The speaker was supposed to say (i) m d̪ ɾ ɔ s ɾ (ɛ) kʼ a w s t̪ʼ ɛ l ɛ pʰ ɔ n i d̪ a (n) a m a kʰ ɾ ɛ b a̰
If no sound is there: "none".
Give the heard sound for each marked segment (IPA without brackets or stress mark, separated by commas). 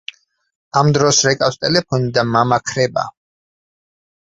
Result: a, ɛ, m